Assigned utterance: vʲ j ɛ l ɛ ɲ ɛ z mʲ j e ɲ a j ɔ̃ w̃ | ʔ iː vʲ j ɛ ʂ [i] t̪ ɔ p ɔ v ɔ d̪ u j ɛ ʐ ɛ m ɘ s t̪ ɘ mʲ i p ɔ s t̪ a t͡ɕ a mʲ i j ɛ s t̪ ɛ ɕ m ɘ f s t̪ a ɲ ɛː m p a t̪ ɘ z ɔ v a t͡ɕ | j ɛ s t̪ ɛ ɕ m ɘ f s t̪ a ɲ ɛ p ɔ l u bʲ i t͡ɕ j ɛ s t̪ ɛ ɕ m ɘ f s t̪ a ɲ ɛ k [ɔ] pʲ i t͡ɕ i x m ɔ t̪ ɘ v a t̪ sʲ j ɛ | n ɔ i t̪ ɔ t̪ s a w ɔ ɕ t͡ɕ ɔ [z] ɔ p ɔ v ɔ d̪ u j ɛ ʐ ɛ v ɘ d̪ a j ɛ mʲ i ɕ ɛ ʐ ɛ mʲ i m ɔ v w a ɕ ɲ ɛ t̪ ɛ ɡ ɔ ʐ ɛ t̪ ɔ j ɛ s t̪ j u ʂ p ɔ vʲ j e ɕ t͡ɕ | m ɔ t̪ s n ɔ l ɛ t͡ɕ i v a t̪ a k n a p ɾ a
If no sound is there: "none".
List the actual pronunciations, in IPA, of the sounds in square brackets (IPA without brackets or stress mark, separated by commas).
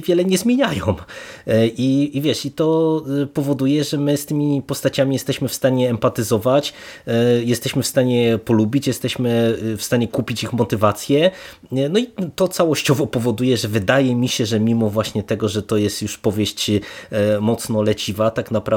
i, u, v